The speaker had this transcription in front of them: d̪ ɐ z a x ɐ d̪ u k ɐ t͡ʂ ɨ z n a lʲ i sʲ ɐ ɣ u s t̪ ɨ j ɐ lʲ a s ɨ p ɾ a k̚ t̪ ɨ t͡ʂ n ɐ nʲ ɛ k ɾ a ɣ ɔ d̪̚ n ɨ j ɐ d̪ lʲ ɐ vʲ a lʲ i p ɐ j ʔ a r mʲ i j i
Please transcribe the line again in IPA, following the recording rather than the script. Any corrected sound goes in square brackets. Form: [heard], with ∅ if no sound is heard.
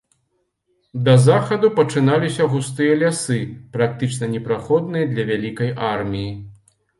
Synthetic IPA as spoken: d̪ ɐ z a x ɐ d̪ u [p] ɐ t͡ʂ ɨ [∅] n a lʲ i sʲ ɐ ɣ u s t̪ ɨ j ɐ lʲ a s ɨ p ɾ a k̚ t̪ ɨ t͡ʂ n ɐ nʲ ɛ [p] ɾ a [x] ɔ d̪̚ n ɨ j ɐ d̪ lʲ ɐ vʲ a lʲ i [k] ɐ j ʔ a r mʲ i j i